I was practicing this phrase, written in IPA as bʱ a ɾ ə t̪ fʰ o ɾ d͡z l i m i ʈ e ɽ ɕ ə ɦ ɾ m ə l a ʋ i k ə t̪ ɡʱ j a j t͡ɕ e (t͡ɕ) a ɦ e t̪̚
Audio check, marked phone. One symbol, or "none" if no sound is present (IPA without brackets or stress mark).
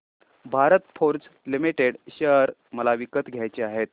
none